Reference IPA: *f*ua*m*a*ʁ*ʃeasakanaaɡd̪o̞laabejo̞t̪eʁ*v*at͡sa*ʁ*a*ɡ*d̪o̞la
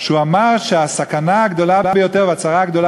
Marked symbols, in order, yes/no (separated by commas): no, yes, yes, yes, yes, yes